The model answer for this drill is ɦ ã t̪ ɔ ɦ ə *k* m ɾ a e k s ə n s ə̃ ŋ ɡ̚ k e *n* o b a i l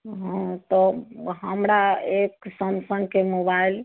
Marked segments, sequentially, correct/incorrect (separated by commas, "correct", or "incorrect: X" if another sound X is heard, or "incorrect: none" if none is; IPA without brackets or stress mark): incorrect: none, incorrect: m